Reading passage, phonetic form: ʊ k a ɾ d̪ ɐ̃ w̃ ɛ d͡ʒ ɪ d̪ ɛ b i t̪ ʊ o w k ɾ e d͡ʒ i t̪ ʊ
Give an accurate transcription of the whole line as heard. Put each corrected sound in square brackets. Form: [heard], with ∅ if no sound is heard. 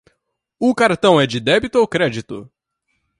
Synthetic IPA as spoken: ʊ k a ɾ [t̪] ɐ̃ w̃ ɛ d͡ʒ ɪ d̪ ɛ b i t̪ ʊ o w k ɾ [ɛ] d͡ʒ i t̪ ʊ